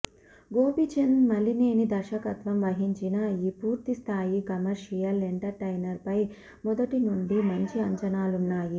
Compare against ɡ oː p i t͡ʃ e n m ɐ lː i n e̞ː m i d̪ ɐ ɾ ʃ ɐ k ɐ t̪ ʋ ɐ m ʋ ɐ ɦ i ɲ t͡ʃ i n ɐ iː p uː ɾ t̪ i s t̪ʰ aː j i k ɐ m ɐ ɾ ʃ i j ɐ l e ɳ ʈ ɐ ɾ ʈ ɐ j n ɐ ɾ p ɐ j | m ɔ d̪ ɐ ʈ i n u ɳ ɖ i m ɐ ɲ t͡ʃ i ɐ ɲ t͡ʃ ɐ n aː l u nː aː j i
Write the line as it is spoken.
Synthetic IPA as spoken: ɡ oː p i t͡ʃ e n m ɐ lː i n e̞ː n i d̪ ɐ ɾ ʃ ɐ k ɐ t̪ ʋ ɐ m ʋ ɐ ɦ i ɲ t͡ʃ i n ɐ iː p uː ɾ t̪ i s t̪ʰ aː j i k ɐ m ɐ ɾ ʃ i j ɐ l e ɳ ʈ ɐ ɾ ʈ ɐ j n ɐ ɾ p ɐ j | m ɔ d̪ ɐ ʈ i n u ɳ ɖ i m ɐ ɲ t͡ʃ i ɐ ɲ t͡ʃ ɐ n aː l u nː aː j i

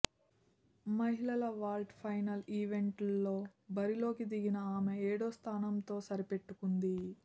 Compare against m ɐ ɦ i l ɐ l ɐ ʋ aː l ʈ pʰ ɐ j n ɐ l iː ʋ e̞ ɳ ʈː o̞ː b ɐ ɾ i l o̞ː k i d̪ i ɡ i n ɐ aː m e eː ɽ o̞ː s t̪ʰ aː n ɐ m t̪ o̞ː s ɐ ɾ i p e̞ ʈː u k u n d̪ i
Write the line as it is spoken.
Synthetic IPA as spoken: m ɐ ɦ i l ɐ l ɐ ʋ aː l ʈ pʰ ɐ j n ɐ l iː ʋ e̞ ɳ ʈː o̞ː b ɐ ɾ i l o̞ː k i d̪ i ɡ i n ɐ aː m e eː ɽ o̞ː s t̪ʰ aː n ɐ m t̪ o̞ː s ɐ ɾ i p e̞ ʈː u k u n d̪ i

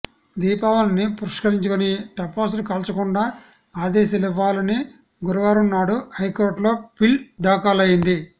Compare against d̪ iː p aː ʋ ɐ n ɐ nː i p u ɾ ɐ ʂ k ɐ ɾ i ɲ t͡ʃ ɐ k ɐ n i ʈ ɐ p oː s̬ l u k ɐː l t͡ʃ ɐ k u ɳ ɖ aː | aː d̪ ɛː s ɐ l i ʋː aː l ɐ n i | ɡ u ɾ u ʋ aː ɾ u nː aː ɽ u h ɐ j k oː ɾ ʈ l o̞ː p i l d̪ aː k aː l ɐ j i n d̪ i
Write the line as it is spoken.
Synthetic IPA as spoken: d̪ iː p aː ʋ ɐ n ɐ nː i p u ɾ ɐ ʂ k ɐ ɾ i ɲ t͡ʃ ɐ k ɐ n i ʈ ɐ p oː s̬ l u k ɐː l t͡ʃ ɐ k u ɳ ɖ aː | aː d̪ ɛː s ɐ l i ʋː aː l ɐ n i | ɡ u ɾ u ʋ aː ɾ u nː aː ɽ u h ɐ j k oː ɾ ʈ l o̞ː p i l d̪ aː k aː l ɐ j i n d̪ i

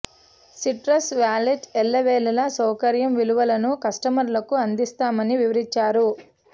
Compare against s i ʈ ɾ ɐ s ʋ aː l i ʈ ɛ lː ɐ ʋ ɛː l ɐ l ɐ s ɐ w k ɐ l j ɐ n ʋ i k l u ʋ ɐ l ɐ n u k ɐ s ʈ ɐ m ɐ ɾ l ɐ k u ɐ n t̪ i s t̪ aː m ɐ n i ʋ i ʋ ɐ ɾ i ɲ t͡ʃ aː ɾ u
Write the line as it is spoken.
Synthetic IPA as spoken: s i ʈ ɾ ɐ s ʋ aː l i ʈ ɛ lː ɐ ʋ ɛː l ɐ l ɐ s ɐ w k ɐ ɾ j ɐ m ʋ i l u ʋ ɐ l ɐ n u k ɐ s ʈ ɐ m ɐ ɾ l ɐ k u ɐ n d̪ i s t̪ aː m ɐ n i ʋ i ʋ ɐ ɾ i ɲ t͡ʃ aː ɾ u

